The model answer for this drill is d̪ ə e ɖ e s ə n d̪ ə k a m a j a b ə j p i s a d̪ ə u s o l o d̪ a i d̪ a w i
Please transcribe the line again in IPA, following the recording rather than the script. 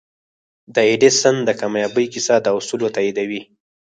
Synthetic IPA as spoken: d̪ ə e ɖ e s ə n d̪ ə k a m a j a b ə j k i s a d̪ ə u s u l o t̪ a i d̪ a w i